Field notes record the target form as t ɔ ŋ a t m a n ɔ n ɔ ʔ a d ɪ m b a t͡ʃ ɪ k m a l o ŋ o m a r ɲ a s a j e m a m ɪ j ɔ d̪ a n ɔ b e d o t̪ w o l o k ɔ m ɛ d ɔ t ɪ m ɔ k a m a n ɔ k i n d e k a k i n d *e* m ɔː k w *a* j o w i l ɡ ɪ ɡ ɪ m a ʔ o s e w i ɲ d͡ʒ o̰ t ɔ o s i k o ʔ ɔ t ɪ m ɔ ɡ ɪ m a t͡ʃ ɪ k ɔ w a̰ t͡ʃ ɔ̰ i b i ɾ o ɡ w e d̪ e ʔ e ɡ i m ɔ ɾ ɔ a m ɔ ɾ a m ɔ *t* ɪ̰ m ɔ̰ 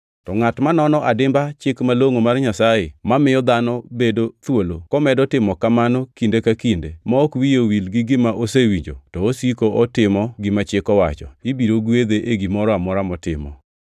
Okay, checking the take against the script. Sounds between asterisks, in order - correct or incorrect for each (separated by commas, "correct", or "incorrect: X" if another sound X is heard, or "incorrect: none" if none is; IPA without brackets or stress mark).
correct, incorrect: i, correct